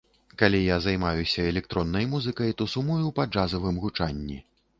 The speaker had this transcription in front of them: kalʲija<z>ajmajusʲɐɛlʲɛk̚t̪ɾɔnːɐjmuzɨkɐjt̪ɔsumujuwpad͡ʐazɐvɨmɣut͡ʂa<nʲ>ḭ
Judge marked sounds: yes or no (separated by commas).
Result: yes, no